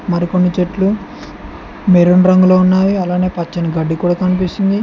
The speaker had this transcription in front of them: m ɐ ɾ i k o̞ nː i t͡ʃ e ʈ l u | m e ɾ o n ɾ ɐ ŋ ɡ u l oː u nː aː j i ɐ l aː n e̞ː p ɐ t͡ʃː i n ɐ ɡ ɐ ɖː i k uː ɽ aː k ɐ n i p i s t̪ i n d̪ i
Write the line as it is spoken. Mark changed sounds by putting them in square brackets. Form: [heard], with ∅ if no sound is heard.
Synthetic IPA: m ɐ ɾ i k o̞ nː i t͡ʃ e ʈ l u | m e ɾ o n ɾ ɐ ŋ ɡ u l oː u nː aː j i ɐ l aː n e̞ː p ɐ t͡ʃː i n ɐ ɡ ɐ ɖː i k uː ɽ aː k ɐ n i p i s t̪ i n d̪ i

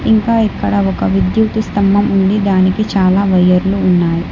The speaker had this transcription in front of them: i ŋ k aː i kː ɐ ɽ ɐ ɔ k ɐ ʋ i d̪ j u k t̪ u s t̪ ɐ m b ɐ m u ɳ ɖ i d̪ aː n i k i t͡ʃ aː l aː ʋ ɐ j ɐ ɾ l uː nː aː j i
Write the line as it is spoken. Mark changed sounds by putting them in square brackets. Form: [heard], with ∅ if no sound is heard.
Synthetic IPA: i ŋ k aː i kː ɐ ɽ ɐ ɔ k ɐ ʋ i d̪ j u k t̪ u s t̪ ɐ m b ɐ m u ɳ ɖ i d̪ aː n i k i t͡ʃ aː l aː ʋ ɐ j ɐ ɾ l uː nː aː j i

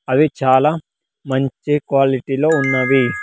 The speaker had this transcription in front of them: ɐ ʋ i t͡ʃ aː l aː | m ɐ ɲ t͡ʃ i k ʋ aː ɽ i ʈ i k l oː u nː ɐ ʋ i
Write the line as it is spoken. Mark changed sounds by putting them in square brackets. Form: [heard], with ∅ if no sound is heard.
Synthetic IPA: ɐ ʋ i t͡ʃ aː l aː | m ɐ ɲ t͡ʃ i k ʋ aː [l] i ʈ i [∅] l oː u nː ɐ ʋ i

